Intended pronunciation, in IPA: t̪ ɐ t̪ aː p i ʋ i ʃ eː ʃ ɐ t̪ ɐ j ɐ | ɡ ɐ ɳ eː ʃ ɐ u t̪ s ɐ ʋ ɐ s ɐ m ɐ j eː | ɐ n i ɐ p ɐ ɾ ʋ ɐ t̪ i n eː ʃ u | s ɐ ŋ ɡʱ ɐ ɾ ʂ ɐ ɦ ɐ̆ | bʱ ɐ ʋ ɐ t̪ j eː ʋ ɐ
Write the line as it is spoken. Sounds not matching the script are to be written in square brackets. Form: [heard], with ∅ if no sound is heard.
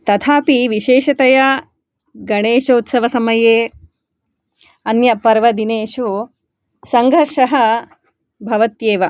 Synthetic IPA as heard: t̪ ɐ [t̪ʰ] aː p i ʋ i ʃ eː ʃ ɐ t̪ ɐ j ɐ | ɡ ɐ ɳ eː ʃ ɐ u t̪ s ɐ ʋ ɐ s ɐ m ɐ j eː | ɐ n [j] ɐ p ɐ ɾ ʋ ɐ [d̪] i n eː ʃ u | s ɐ ŋ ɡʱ ɐ ɾ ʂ ɐ ɦ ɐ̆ | bʱ ɐ ʋ ɐ t̪ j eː ʋ ɐ